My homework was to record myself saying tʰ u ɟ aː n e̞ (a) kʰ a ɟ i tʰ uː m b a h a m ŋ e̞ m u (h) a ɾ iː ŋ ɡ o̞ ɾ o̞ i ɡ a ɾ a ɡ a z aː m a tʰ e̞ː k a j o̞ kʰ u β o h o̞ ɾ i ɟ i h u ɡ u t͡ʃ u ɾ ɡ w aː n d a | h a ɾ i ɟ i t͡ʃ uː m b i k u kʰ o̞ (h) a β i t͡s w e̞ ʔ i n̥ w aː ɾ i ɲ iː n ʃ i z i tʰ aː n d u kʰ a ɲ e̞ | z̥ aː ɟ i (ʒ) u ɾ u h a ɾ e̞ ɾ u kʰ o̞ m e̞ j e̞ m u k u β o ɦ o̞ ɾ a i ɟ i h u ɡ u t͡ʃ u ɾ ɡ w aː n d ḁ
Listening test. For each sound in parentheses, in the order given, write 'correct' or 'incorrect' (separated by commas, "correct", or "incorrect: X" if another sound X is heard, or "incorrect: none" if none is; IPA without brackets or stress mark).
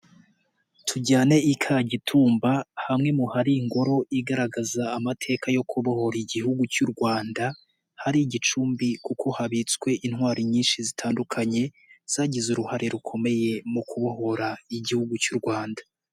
incorrect: i, correct, correct, incorrect: z